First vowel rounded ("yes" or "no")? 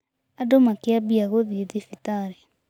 no